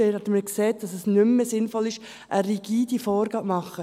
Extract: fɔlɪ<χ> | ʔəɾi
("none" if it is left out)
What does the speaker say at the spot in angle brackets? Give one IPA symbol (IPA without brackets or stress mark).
ʃ